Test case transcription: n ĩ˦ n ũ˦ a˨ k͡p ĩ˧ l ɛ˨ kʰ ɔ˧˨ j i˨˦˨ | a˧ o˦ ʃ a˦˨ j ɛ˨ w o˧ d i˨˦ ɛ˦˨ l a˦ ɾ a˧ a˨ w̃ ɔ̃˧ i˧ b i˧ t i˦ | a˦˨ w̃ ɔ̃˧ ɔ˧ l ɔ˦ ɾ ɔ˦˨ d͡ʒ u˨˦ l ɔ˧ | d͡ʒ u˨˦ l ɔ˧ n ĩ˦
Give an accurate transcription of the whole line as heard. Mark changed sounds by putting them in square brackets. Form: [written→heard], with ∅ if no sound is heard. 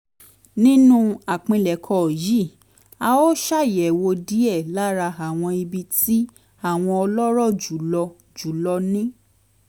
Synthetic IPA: n ĩ˦ n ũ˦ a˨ k͡p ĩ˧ l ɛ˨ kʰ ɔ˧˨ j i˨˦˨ | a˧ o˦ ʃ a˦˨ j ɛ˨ w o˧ d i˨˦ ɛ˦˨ l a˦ ɾ a˧ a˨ w̃ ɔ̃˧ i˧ b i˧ t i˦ | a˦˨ w̃ ɔ̃˧ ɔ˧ l ɔ˦ ɾ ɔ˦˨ d͡ʒ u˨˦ l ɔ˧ | d͡ʒ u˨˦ l ɔ˧ n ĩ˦